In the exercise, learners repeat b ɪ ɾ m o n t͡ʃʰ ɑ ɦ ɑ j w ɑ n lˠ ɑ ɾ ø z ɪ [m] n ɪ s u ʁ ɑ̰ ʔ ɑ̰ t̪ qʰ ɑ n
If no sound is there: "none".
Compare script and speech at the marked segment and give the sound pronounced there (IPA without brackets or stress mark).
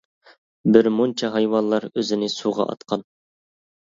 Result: none